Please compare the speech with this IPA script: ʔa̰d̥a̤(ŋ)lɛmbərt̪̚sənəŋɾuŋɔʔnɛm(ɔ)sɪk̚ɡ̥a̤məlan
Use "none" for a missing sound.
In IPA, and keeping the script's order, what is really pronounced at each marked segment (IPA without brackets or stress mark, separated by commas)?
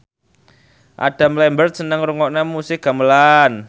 m, u